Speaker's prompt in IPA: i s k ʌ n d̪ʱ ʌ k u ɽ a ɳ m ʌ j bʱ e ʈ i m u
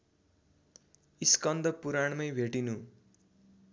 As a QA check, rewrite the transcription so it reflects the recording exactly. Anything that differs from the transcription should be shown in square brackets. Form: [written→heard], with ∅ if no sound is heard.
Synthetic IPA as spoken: i s k ʌ n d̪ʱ ʌ [k→p] u [ɽ→ɾ] a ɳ m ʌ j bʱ e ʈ i [m→n] u